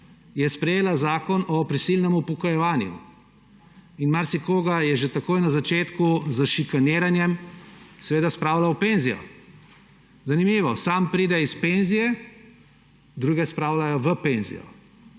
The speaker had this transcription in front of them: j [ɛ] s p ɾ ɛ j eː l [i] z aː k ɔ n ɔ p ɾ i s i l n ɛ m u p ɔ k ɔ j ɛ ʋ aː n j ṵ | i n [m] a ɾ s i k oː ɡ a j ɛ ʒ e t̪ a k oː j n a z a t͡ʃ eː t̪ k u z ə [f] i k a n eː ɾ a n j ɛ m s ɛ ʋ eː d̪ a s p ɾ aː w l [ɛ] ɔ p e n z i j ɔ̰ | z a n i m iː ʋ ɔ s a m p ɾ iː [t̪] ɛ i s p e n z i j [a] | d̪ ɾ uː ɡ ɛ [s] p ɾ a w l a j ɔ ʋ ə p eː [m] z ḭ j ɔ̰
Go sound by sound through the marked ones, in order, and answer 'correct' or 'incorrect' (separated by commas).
correct, incorrect, correct, incorrect, incorrect, incorrect, incorrect, correct, incorrect